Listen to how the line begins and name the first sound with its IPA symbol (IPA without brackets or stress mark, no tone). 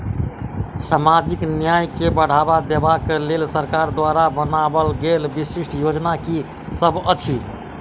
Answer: s